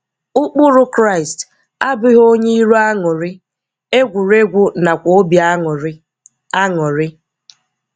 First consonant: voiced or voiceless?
voiceless